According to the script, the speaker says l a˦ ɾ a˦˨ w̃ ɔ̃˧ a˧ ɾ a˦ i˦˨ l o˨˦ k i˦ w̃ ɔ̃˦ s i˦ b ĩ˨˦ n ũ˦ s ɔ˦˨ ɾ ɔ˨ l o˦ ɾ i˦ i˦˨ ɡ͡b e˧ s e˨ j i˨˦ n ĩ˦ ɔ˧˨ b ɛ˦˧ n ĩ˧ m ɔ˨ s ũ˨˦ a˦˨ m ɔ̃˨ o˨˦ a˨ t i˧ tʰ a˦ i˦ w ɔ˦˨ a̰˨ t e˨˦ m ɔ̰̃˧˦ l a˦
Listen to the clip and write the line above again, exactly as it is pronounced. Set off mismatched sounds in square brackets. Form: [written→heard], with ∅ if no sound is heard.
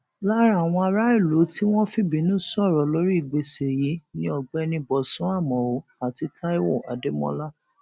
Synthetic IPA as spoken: l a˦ ɾ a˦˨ w̃ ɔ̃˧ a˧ ɾ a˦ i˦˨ l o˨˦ [k→t] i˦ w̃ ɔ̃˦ [s→f] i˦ b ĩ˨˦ n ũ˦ s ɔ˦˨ ɾ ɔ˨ l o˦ ɾ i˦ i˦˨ ɡ͡b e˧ s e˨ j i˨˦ n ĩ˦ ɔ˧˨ [b→ɡ͡b] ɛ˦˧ n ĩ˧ [m→b] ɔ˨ s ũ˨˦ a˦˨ m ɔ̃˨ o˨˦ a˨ t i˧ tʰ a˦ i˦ w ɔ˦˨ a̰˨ [t→d] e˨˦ m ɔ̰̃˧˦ l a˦